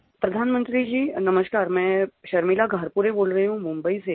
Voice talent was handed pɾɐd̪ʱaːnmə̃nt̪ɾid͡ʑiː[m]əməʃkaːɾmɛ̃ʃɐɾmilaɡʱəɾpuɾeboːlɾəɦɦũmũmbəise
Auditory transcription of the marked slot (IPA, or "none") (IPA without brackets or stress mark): n